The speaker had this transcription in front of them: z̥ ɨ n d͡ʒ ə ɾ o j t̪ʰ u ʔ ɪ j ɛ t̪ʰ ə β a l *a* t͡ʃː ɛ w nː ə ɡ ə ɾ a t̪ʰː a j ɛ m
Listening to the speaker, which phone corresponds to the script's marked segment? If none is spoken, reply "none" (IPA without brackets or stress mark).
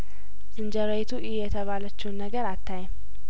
ə